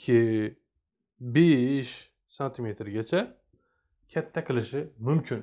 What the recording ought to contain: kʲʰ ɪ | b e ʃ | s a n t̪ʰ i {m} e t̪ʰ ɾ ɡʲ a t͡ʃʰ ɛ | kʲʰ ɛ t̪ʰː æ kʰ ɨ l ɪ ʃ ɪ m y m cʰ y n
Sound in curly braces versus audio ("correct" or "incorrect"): correct